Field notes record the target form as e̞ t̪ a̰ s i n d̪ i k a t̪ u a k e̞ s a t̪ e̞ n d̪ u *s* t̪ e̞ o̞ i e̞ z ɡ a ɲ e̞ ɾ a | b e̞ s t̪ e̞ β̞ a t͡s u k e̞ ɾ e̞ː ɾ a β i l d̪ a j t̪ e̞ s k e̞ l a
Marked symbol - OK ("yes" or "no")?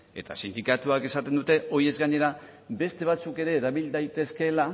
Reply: no